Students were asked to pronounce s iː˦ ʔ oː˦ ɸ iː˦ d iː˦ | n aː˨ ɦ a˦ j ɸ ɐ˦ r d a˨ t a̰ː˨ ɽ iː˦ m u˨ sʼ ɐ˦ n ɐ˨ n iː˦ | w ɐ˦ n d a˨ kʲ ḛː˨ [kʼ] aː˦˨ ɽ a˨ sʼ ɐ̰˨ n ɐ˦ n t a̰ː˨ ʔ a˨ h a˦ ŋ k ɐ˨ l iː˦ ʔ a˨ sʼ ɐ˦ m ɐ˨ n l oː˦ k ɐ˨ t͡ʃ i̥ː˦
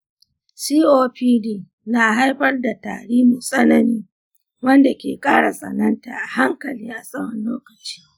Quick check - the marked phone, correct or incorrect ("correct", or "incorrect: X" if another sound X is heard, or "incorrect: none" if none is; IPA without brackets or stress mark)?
correct